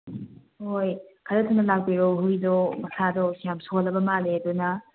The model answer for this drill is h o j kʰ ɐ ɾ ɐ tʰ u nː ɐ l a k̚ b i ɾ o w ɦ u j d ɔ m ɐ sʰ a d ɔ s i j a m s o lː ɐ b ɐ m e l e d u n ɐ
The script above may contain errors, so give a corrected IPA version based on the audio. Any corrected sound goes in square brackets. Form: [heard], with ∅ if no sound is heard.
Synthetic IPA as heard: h o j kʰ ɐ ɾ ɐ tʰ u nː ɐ l a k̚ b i ɾ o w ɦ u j d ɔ m ɐ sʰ a d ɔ s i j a m s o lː ɐ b ɐ m [a] l e d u n ɐ